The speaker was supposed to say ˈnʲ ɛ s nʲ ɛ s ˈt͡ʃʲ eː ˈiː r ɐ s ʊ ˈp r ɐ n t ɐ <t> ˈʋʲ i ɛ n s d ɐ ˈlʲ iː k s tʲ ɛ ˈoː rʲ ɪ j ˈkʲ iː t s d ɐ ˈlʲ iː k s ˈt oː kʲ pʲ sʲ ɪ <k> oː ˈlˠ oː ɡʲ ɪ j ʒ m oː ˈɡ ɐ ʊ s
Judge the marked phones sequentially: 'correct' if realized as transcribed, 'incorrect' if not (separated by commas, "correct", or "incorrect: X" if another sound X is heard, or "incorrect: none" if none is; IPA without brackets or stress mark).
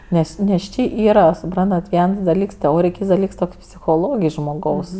correct, incorrect: x